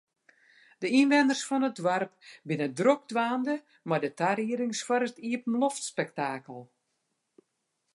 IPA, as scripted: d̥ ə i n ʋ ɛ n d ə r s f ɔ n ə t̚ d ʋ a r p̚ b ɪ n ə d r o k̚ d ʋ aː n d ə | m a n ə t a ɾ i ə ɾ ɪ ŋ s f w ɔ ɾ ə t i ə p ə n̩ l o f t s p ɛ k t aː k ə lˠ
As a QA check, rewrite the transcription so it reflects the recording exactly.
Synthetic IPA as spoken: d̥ ə i n ʋ ɛ n d ə r s f ɔ n ə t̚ d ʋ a r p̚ b ɪ n ə d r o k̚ d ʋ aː n d ə | m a d ə t a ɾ i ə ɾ ɪ ŋ s f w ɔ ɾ ə t i ə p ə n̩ l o f t s p ɛ k t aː k ə lˠ